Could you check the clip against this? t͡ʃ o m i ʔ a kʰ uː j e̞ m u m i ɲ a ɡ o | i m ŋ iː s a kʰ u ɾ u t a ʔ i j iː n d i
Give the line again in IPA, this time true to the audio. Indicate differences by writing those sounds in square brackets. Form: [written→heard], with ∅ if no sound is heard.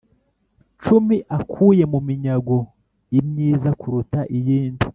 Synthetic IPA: t͡ʃ [o→u] m i ʔ a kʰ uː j e̞ m u m i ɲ a ɡ o | i m [ŋ→ɲ] iː [s→z] a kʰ u ɾ u t a ʔ i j iː n d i